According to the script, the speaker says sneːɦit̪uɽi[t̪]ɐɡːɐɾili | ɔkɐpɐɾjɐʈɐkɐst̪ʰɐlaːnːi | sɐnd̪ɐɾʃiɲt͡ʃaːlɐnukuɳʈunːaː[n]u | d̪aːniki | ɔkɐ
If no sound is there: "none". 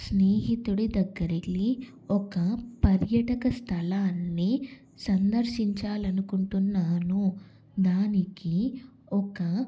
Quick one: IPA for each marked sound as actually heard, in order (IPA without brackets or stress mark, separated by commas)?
d̪, n